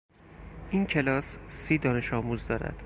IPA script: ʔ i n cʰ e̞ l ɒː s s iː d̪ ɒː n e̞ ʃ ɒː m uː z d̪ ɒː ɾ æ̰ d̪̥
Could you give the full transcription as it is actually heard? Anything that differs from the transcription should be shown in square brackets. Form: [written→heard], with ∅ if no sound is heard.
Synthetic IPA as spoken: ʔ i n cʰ e̞ l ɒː s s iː d̪ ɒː n e̞ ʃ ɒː m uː z d̪ ɒː ɾ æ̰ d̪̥